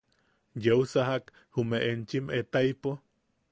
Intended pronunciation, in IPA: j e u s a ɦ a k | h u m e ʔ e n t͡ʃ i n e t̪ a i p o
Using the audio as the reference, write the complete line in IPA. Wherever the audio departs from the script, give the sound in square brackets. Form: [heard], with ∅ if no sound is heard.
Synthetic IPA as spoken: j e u s a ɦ a k | h u m e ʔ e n t͡ʃ i [m] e t̪ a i p o